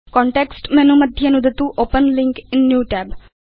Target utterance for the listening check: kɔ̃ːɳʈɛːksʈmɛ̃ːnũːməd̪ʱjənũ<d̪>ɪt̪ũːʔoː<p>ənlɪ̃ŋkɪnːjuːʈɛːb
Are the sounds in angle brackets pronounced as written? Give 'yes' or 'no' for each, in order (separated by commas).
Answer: yes, yes